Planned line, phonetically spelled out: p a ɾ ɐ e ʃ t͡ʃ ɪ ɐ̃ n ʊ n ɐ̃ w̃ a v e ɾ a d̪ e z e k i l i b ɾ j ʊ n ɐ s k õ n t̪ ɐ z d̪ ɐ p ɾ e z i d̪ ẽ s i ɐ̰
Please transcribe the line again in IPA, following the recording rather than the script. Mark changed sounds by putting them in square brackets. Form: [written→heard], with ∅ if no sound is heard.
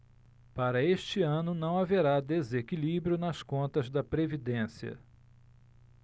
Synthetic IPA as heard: p a ɾ ɐ e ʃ t͡ʃ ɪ ɐ̃ n ʊ n ɐ̃ w̃ a v e ɾ a d̪ e z e k i l i b ɾ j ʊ n ɐ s k õ n t̪ ɐ z d̪ ɐ p ɾ e [z→v] i d̪ ẽ s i ɐ̰